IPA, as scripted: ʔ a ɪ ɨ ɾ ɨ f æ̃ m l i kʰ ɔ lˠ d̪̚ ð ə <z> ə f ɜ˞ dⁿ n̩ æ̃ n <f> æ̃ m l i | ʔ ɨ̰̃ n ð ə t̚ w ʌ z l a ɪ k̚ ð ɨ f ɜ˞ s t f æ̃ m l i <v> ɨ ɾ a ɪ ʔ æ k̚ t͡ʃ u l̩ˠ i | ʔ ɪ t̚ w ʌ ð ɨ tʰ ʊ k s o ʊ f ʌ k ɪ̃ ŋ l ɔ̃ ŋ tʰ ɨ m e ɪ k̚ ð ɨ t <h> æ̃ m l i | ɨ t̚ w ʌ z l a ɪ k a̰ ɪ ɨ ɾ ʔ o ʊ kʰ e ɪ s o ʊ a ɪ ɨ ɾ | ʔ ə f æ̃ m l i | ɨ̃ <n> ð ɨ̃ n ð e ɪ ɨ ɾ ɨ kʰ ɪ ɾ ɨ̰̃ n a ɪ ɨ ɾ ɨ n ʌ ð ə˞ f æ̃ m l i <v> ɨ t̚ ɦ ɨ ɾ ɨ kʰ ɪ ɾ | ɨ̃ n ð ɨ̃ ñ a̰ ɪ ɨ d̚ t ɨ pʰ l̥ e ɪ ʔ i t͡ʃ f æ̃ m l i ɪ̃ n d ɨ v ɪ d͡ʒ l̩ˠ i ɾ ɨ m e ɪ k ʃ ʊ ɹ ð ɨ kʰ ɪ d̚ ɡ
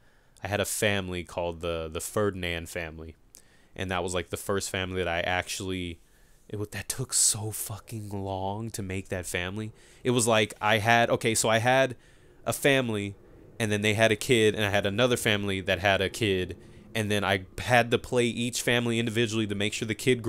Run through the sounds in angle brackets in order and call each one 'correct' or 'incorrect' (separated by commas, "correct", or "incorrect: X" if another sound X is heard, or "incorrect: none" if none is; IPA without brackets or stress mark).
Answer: incorrect: ð, correct, incorrect: ð, incorrect: f, correct, incorrect: ð